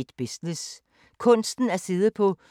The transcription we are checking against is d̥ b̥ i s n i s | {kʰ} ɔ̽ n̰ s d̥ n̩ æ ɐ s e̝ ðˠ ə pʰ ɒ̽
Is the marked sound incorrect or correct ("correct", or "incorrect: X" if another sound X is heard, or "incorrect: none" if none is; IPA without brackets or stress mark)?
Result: correct